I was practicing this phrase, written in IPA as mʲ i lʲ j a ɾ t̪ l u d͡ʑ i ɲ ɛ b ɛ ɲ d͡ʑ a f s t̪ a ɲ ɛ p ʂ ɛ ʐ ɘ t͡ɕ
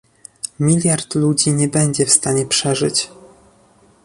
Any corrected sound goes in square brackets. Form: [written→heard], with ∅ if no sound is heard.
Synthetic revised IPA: mʲ i lʲ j a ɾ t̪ l u d͡ʑ i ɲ ɛ b ɛ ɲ d͡ʑ [a→ɛ] f s t̪ a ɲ ɛ p ʂ ɛ ʐ ɘ t͡ɕ